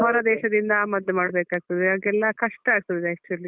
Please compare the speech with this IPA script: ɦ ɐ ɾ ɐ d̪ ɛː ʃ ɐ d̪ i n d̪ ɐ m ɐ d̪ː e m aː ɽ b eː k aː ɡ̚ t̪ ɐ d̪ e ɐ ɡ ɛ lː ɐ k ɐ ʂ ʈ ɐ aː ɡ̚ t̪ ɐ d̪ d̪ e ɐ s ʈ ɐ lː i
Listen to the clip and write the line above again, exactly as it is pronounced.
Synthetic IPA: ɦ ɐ ɾ ɐ d̪ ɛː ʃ ɐ d̪ i n d̪ ɐ m ɐ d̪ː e m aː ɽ b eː k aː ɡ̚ t̪ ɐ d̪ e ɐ ɡ ɛ lː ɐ k ɐ ʂ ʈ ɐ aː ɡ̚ t̪ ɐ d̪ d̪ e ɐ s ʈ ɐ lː i